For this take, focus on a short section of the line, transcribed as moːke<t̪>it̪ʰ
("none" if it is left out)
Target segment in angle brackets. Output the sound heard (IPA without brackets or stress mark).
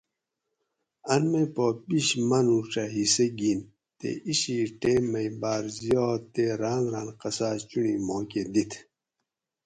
d̪